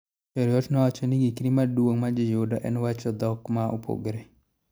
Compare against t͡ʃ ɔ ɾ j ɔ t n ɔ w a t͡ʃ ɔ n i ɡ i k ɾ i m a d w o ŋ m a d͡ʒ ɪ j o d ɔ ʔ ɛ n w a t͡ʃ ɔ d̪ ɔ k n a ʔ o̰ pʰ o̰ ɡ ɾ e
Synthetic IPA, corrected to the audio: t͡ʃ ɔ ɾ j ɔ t n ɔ w a t͡ʃ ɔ n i ɡ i k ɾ i m a d w o ŋ m a d͡ʒ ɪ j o d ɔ ʔ ɛ n w a t͡ʃ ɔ d̪ ɔ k m a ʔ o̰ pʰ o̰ ɡ ɾ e